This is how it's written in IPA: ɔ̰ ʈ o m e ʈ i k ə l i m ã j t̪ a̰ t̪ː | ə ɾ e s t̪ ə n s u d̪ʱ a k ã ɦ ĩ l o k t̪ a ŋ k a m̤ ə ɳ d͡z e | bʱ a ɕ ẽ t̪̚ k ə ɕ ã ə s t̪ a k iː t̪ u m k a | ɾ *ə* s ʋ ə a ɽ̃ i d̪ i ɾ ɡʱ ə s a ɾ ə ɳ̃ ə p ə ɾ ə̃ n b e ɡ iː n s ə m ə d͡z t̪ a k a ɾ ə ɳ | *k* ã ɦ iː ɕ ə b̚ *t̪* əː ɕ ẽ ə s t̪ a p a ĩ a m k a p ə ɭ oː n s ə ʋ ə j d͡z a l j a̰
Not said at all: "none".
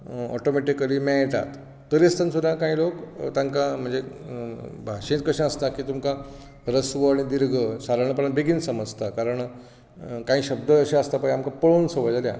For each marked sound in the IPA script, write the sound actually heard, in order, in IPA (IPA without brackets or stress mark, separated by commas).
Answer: ə, k, d̪